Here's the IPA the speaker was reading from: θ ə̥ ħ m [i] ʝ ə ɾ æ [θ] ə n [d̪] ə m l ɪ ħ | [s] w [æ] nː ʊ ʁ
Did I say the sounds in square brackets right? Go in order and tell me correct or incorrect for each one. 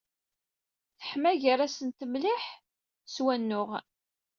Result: incorrect: æ, incorrect: s, incorrect: t̪, correct, correct

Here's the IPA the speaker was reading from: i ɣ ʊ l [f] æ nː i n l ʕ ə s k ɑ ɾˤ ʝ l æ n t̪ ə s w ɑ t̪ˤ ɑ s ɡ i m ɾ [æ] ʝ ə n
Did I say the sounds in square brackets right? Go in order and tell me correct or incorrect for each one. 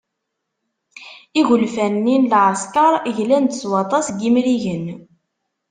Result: correct, incorrect: i

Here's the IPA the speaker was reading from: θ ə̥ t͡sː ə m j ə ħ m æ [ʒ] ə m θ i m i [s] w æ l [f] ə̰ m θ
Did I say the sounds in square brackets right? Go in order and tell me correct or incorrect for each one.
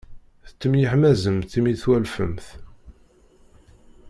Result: incorrect: z, incorrect: θ, correct

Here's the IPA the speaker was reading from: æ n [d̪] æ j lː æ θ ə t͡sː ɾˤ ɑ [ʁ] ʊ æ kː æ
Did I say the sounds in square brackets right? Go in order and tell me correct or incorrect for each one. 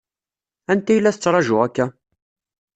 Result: incorrect: t̪, incorrect: ʒ

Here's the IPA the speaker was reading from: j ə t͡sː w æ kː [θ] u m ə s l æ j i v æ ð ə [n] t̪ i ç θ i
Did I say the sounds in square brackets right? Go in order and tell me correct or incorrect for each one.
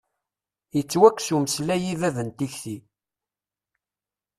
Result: incorrect: s, correct

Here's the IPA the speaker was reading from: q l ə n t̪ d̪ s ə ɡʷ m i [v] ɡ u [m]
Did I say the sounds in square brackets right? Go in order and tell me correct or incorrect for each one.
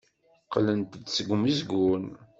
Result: incorrect: z, incorrect: n

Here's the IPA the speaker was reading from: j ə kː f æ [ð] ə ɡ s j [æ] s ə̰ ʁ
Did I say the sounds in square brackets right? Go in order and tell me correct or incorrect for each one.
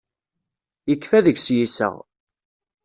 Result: correct, incorrect: i

